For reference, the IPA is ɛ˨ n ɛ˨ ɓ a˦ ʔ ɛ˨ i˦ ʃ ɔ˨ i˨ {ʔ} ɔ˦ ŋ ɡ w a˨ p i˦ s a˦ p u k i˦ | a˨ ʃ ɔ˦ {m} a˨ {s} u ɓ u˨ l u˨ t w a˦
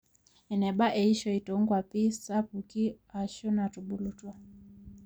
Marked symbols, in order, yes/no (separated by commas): no, no, no